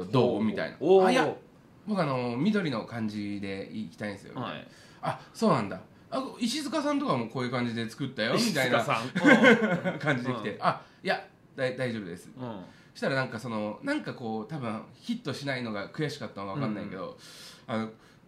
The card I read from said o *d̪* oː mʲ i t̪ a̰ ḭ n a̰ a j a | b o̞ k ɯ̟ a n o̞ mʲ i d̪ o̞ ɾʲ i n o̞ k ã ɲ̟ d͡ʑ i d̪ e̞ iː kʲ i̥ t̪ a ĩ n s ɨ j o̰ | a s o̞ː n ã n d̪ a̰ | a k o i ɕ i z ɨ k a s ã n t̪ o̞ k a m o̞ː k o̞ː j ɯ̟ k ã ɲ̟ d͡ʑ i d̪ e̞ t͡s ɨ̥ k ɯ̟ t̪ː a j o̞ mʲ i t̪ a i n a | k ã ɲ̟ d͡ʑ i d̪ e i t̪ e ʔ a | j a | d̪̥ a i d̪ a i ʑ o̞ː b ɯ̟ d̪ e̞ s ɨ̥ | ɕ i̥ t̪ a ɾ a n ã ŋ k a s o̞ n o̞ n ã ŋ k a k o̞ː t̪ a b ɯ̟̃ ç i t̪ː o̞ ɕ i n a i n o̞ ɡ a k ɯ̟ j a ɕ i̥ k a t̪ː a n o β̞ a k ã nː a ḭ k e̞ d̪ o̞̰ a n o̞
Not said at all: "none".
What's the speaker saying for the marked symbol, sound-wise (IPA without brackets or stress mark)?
d̪